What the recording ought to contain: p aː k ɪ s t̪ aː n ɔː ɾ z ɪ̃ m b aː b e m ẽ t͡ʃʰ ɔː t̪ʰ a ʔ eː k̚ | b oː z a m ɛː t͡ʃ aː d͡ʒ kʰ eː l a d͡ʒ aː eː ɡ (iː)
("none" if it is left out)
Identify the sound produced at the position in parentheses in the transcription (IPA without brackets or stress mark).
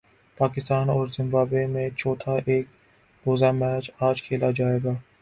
aː